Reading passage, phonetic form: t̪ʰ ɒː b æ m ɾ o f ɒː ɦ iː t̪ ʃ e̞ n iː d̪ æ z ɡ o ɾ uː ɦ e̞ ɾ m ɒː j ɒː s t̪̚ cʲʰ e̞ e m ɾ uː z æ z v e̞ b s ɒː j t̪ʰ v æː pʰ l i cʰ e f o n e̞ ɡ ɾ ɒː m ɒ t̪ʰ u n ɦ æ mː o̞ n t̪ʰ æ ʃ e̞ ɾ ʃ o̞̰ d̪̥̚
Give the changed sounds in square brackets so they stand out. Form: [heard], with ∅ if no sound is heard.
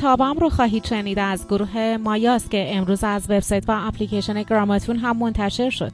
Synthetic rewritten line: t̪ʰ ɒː b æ m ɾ o [x] ɒː ɦ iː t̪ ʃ e̞ n iː d̪ æ z ɡ o ɾ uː ɦ e̞ [∅] m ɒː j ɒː s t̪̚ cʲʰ e̞ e m ɾ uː z æ z v e̞ b s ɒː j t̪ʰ v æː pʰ l i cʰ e [ʃ] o n e̞ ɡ ɾ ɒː m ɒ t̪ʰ u n ɦ æ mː o̞ n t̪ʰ æ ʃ e̞ ɾ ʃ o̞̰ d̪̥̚